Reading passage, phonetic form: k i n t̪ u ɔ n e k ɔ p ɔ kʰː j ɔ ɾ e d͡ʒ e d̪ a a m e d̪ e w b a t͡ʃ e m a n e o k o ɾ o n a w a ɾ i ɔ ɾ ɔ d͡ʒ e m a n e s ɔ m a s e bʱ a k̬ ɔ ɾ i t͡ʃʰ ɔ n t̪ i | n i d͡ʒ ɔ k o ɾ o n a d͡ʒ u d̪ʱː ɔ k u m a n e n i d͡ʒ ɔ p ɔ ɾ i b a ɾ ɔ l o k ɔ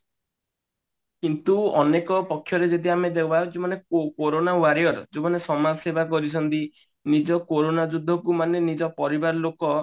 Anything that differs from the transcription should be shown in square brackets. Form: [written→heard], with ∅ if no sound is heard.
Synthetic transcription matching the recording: k i n t̪ u ɔ n e k ɔ p ɔ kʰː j ɔ ɾ e d͡ʒ e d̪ [a→i] a m e d̪ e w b a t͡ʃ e m a n e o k o ɾ o n a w a ɾ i ɔ ɾ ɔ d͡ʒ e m a n e s ɔ m a s e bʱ a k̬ ɔ ɾ i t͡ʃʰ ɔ n t̪ i | n i d͡ʒ ɔ k o ɾ o n a d͡ʒ u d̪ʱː ɔ k u m a n e n i d͡ʒ ɔ p ɔ ɾ i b a ɾ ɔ l o k ɔ